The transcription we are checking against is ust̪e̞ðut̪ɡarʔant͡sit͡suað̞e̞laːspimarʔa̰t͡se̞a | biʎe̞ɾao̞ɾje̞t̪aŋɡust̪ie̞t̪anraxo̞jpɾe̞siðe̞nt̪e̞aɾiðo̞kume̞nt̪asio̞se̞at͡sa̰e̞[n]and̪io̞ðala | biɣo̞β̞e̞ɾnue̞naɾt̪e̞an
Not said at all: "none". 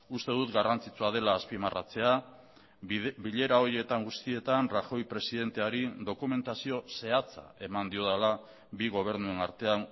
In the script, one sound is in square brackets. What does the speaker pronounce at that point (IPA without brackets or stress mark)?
m